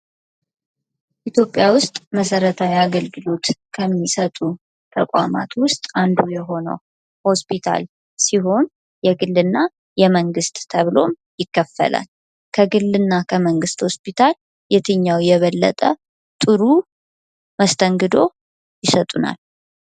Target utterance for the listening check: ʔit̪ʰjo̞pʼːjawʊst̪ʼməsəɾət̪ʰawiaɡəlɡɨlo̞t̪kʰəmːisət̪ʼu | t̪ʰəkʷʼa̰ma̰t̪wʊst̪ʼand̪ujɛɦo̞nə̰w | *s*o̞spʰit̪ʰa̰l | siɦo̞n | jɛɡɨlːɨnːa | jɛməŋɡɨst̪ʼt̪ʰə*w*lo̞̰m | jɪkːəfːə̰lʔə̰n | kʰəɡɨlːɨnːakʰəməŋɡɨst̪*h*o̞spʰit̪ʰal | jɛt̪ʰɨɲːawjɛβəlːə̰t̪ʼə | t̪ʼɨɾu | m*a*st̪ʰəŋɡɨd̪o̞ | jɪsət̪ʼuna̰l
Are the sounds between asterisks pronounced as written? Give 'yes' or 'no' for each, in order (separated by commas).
no, no, yes, no